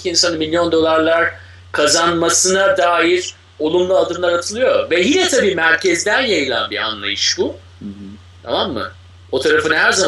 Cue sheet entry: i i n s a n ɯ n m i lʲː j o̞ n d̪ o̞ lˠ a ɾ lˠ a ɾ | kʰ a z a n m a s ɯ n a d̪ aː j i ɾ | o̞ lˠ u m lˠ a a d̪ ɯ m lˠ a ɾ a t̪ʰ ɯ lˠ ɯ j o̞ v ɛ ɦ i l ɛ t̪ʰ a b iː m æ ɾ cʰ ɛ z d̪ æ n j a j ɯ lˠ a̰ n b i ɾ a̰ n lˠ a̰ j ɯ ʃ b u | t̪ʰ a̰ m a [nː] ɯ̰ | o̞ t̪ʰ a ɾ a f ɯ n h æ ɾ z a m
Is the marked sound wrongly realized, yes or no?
yes